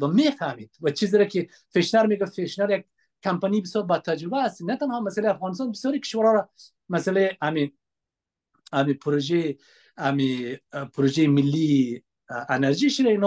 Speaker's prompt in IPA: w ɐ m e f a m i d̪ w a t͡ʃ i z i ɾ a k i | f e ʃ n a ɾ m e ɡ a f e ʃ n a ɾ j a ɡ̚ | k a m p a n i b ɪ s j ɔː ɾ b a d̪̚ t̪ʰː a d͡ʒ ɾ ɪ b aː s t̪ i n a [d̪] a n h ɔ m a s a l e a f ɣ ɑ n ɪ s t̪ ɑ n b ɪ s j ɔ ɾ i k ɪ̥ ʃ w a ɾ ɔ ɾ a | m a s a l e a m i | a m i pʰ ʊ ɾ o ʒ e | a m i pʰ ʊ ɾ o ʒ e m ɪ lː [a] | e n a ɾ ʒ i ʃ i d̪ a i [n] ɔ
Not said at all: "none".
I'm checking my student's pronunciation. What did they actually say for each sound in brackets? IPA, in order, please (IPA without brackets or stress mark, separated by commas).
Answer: t̪, i, n